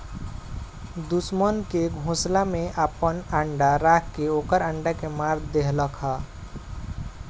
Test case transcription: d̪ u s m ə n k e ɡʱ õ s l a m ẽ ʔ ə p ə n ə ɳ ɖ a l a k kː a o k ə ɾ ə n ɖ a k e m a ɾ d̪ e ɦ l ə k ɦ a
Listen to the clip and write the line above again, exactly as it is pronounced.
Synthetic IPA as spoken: d̪ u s m ə n k e ɡʱ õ s l a m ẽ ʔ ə p ə n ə ɳ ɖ a ɾ a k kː e o k ə ɾ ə ɳ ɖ a k e m a ɾ d̪ e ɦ l ə k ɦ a